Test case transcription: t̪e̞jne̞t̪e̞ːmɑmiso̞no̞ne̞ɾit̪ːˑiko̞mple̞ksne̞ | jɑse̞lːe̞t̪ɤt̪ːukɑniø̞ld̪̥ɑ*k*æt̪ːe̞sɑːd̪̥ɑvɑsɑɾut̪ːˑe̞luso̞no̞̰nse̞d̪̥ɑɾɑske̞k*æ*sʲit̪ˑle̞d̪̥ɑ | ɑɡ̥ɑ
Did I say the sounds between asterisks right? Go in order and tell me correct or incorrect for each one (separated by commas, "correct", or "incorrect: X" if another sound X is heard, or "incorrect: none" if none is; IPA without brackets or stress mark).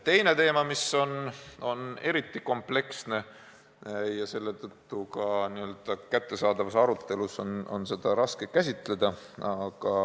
correct, correct